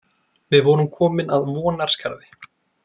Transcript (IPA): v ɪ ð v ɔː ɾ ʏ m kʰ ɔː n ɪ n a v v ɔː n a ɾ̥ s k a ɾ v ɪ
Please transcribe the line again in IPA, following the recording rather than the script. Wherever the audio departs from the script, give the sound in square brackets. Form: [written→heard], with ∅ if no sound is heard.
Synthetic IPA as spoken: v ɪ ð v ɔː ɾ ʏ m kʰ ɔː [n→m] ɪ n a [v→ð] v ɔː n a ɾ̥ s k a ɾ [v→ð] ɪ